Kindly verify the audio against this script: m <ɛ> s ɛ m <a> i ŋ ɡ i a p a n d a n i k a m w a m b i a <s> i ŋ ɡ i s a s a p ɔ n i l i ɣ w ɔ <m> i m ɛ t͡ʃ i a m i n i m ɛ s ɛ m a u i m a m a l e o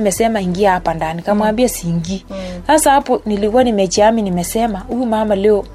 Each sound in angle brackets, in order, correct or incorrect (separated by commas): correct, correct, correct, incorrect